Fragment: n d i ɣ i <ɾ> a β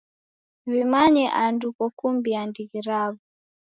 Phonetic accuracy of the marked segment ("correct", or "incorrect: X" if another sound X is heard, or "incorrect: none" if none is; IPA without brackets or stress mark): correct